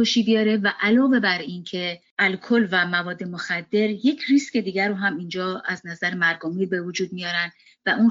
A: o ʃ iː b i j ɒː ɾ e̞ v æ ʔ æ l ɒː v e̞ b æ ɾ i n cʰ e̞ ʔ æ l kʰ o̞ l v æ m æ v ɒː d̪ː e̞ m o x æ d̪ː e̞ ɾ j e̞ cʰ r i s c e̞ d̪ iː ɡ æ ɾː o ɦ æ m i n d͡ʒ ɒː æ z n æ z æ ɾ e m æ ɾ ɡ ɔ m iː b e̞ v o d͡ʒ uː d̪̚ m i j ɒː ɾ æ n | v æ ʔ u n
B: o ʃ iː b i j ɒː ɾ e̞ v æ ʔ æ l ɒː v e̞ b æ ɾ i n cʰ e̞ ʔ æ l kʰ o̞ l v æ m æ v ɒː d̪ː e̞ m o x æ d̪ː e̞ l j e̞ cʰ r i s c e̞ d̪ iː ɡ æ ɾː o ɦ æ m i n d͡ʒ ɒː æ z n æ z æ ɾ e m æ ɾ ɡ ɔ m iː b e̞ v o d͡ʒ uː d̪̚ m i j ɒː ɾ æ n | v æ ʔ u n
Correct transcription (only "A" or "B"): A